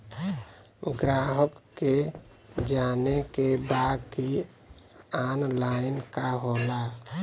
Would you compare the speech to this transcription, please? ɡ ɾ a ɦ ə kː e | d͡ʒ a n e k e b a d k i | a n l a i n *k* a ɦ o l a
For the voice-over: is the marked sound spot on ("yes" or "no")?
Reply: yes